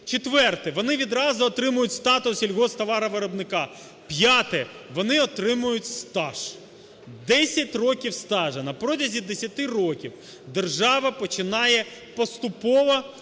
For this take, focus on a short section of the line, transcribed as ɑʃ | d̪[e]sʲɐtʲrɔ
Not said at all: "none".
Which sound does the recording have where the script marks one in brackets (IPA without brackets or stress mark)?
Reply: ɛ